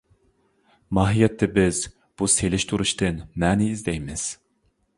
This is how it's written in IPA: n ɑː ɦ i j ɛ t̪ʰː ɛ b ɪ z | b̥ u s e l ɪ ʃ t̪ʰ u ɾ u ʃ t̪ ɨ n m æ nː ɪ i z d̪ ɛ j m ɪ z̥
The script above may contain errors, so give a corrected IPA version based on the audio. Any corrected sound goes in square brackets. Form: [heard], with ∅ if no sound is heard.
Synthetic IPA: [m] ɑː ɦ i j ɛ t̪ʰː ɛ b ɪ z | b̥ u s e l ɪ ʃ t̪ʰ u ɾ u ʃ t̪ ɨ n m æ [n] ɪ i z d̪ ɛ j m ɪ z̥